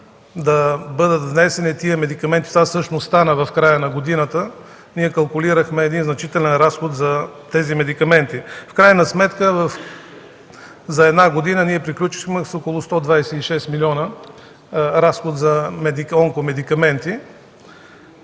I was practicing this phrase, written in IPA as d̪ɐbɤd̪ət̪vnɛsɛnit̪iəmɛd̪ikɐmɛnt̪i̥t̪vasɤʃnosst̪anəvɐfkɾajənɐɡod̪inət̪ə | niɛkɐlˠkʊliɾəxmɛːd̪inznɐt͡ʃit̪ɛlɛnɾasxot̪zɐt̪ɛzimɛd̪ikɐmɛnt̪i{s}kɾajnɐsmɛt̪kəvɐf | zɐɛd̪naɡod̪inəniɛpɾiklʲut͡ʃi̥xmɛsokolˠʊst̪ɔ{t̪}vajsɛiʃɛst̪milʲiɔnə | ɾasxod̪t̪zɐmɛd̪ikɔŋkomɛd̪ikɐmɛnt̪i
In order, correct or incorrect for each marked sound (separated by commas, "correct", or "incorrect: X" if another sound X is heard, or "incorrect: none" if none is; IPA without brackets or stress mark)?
incorrect: f, incorrect: d̪